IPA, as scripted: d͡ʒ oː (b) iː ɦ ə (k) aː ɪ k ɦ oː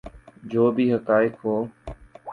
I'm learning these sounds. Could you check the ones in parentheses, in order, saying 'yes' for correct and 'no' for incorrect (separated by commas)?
yes, yes